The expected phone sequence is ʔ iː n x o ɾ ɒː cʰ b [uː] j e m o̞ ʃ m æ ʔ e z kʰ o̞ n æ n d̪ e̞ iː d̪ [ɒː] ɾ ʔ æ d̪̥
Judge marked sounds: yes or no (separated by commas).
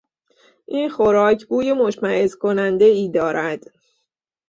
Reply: yes, yes